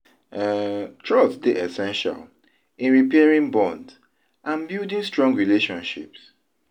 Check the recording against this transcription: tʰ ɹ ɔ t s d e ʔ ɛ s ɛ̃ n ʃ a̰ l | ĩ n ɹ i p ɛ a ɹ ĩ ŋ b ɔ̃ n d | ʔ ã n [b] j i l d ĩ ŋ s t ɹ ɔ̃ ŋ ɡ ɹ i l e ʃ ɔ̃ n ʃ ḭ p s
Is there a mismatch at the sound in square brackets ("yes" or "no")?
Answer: no